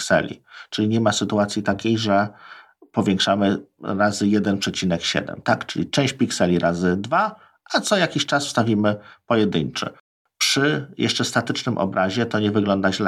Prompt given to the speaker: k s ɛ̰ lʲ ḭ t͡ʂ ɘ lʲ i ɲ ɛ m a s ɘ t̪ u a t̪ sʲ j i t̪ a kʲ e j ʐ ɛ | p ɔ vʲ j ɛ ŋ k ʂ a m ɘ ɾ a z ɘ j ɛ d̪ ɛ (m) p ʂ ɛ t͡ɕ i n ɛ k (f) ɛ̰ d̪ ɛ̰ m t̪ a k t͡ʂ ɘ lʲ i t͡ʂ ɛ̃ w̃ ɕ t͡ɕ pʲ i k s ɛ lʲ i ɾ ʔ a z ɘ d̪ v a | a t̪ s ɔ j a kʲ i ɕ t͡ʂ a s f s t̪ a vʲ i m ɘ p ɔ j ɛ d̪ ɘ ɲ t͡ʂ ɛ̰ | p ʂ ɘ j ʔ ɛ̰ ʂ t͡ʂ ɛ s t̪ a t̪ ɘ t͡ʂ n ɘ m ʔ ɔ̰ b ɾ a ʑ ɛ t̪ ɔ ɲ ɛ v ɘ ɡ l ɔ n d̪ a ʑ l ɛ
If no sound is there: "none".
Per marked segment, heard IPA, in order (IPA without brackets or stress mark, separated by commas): n, ɕ